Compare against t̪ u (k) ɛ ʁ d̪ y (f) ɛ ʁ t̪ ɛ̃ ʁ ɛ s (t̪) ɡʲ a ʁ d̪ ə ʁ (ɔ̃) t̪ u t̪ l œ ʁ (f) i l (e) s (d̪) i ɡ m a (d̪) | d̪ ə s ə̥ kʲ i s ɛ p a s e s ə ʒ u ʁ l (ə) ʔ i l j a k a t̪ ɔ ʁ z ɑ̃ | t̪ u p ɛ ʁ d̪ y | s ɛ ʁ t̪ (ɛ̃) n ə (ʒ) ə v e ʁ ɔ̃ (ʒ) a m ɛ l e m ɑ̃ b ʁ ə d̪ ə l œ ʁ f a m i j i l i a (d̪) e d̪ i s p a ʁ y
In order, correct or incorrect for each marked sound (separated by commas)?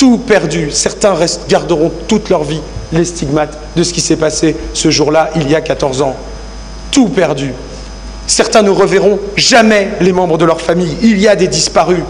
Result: incorrect, incorrect, correct, correct, incorrect, correct, incorrect, incorrect, incorrect, correct, incorrect, correct, correct